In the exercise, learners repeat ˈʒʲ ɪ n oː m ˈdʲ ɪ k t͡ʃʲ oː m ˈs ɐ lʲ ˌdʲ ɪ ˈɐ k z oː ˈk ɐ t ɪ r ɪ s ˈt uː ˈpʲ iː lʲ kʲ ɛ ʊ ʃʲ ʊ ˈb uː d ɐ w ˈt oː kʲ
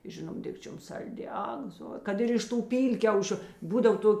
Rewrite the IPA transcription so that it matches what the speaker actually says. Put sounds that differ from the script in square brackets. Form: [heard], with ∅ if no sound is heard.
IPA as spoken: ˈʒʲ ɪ n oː m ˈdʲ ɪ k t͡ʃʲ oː m ˈs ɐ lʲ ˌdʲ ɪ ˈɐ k z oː ˈk ɐ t ɪ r ɪ [ʃ] ˈt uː ˈpʲ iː lʲ kʲ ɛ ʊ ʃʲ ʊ ˈb uː d ɐ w ˈt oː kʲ